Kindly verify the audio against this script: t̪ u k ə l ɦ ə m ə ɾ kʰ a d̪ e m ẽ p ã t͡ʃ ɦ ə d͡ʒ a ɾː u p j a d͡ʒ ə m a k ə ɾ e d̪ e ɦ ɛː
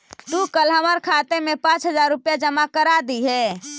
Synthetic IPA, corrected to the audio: t̪ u k ə l ɦ ə m ə ɾ kʰ a t̪ e m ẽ p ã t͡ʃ ɦ ə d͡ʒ a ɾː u p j a d͡ʒ ə m a k ə ɾ a d̪ i ɦ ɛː